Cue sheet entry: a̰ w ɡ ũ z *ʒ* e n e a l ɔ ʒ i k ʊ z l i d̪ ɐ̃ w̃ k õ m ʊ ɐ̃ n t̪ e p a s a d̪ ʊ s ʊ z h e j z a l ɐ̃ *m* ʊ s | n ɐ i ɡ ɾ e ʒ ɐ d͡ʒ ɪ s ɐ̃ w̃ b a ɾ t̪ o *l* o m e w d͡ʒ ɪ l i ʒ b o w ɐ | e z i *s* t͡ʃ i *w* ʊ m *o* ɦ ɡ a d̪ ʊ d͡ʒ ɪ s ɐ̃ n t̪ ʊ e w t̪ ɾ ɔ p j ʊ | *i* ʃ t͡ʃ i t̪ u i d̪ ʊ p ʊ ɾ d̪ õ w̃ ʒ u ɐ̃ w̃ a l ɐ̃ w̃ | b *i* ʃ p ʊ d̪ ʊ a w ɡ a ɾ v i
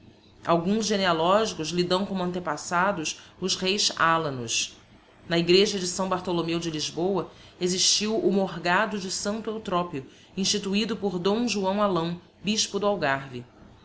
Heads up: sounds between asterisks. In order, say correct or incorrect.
correct, incorrect, correct, incorrect, correct, correct, incorrect, correct

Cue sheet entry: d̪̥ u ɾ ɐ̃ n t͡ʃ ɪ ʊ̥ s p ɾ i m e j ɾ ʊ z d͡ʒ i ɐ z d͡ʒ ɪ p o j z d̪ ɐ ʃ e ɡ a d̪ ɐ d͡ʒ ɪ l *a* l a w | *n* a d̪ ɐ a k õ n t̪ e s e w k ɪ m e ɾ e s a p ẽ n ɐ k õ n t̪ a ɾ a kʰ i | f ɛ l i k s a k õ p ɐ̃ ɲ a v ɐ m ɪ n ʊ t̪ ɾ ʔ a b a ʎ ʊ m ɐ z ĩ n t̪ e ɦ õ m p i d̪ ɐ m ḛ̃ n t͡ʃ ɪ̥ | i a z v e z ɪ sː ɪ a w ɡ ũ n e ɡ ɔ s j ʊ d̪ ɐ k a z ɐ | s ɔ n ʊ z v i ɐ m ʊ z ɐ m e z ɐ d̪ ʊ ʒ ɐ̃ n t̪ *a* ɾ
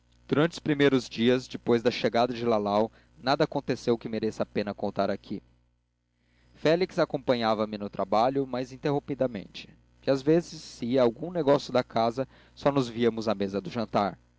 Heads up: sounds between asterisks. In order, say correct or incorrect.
correct, correct, correct

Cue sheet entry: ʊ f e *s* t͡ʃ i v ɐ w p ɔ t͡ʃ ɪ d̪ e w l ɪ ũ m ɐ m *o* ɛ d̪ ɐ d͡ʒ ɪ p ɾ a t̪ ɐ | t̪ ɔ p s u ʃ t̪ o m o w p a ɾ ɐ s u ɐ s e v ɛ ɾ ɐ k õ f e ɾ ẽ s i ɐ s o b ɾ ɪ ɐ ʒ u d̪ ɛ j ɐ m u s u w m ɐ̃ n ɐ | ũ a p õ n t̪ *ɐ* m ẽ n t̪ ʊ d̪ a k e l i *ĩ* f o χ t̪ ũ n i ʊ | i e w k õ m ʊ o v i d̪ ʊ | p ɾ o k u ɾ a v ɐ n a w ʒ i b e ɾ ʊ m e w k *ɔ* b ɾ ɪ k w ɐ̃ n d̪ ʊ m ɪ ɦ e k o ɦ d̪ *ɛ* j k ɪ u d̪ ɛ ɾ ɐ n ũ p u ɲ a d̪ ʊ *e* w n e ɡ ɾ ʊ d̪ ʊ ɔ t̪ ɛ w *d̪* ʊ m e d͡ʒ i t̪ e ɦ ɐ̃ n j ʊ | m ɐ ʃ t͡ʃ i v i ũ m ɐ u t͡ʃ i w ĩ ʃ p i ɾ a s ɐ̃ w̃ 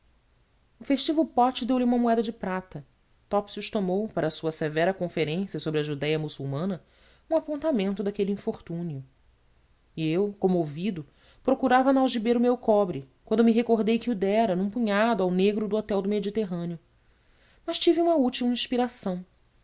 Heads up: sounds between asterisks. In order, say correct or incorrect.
incorrect, incorrect, incorrect, correct, correct, incorrect, incorrect, correct

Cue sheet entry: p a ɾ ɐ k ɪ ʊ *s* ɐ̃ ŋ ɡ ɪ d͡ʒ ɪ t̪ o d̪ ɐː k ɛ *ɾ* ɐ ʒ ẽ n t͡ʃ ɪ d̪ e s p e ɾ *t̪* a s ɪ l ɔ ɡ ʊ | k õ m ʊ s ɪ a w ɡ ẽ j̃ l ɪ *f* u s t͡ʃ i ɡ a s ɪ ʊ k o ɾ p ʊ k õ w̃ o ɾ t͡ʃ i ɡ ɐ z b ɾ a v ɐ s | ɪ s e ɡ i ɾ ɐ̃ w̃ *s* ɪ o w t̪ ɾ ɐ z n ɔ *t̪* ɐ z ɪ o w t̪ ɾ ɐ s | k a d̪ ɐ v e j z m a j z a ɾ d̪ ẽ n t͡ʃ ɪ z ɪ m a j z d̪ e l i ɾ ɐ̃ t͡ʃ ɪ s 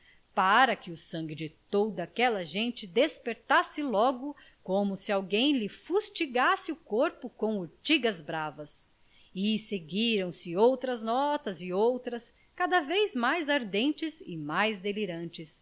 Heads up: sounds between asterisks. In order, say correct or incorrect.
correct, incorrect, correct, correct, correct, correct

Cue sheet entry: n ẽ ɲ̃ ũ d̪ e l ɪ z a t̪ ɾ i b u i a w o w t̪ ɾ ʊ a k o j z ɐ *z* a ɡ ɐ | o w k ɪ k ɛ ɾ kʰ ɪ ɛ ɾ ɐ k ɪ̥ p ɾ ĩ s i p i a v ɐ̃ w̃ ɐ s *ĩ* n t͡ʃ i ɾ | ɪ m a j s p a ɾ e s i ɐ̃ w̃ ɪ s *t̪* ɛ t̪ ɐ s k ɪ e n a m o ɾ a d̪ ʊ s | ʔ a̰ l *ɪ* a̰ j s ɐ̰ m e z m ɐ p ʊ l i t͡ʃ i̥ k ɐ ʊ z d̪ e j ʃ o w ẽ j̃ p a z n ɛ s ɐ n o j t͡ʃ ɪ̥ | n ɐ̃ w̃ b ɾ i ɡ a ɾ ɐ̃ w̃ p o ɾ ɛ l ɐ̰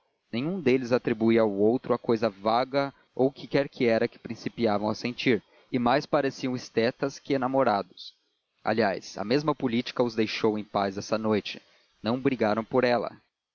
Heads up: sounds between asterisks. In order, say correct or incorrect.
incorrect, incorrect, correct, incorrect

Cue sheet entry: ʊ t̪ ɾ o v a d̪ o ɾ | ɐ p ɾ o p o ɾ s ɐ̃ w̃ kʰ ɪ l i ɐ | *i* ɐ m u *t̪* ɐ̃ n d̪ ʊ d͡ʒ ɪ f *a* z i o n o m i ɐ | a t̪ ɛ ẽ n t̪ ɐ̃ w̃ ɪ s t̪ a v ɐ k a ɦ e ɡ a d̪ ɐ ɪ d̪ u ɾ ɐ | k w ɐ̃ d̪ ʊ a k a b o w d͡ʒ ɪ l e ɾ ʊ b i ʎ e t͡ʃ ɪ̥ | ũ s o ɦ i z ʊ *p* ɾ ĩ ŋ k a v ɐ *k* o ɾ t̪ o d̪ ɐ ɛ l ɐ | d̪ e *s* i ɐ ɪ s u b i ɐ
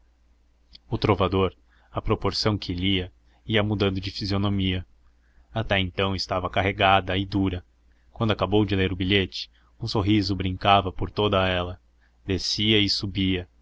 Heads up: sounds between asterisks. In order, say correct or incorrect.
correct, incorrect, incorrect, incorrect, incorrect, correct

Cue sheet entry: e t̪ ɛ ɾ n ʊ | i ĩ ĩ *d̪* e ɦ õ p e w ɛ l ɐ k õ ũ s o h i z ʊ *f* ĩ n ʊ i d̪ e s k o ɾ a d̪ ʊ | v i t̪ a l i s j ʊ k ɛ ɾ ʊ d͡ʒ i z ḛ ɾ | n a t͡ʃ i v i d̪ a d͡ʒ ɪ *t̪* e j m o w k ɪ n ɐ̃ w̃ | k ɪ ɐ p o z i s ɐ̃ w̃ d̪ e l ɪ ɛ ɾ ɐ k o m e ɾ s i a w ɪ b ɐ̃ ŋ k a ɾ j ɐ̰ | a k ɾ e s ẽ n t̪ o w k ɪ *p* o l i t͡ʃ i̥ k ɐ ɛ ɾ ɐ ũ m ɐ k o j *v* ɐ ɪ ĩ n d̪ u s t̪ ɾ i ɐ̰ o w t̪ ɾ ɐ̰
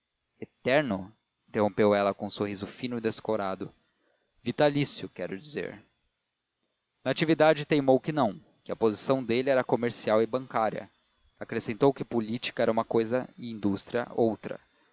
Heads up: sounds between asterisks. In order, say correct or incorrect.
incorrect, correct, correct, correct, incorrect

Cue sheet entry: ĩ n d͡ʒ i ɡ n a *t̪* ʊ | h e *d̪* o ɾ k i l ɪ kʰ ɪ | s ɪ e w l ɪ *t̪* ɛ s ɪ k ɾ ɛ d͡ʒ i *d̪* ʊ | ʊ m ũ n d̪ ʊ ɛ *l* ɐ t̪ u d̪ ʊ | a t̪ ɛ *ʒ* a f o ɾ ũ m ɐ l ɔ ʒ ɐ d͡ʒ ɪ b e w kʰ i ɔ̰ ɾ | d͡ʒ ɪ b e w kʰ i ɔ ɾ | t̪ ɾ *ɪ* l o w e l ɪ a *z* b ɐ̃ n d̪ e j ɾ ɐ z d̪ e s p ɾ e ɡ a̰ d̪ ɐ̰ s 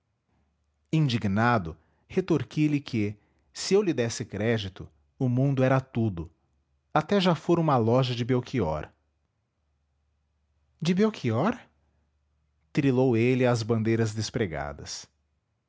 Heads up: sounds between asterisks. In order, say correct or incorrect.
incorrect, incorrect, incorrect, incorrect, incorrect, correct, incorrect, correct

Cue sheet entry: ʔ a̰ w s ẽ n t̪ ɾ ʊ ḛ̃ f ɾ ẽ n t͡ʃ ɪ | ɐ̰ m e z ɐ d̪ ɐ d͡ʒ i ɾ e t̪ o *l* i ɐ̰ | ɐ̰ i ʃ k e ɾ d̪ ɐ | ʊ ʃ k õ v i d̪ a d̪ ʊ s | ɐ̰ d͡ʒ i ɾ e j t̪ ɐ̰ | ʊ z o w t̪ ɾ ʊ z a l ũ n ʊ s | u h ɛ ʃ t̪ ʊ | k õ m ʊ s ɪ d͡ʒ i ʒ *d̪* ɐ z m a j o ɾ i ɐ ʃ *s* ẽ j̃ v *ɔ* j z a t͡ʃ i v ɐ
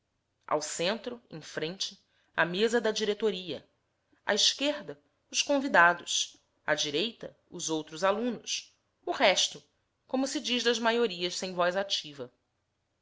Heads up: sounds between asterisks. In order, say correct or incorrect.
incorrect, correct, correct, correct

